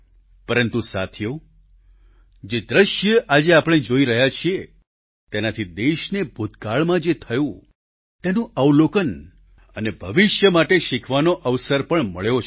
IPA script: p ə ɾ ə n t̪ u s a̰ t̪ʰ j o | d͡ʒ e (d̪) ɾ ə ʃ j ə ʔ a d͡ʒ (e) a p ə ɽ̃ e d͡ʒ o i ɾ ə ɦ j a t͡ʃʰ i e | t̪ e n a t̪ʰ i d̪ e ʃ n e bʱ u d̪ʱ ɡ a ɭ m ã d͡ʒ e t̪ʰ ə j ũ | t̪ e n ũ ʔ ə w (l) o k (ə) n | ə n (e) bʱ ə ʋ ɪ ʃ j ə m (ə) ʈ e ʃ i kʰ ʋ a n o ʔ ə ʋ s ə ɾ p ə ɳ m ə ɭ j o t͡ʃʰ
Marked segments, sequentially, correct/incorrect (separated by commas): correct, correct, correct, correct, correct, incorrect